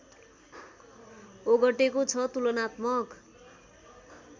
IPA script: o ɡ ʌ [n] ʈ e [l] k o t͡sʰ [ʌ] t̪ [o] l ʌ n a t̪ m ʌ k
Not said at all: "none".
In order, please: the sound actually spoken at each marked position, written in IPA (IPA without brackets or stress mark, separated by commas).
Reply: none, none, ʌ, u